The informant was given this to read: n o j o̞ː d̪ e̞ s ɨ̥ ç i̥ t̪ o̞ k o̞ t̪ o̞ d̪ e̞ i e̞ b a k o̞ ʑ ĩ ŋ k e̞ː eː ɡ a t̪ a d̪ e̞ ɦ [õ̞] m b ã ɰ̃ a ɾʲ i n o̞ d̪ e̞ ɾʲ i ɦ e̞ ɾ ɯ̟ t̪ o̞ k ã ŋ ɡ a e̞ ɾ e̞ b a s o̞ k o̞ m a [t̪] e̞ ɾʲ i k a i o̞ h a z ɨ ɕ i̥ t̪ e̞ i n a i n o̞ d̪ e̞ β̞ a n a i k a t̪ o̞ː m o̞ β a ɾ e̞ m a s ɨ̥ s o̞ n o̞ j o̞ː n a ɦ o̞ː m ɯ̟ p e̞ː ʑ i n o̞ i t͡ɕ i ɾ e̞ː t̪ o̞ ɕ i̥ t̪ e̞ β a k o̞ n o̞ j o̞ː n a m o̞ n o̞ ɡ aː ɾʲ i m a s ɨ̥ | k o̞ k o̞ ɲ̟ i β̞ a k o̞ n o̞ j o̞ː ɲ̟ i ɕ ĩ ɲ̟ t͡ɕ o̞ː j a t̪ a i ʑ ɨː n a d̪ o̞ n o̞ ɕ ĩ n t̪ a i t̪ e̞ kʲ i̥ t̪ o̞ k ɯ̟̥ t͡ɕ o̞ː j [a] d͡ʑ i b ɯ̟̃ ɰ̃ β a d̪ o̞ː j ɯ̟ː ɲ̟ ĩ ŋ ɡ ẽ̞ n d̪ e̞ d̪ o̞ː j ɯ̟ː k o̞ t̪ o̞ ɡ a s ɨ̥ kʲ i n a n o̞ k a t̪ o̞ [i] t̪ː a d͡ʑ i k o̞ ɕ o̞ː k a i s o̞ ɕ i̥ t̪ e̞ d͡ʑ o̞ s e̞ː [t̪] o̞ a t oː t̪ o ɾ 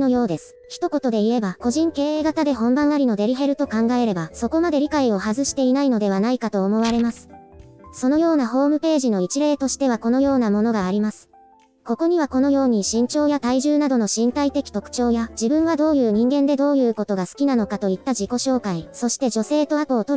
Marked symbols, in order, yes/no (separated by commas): yes, no, yes, yes, yes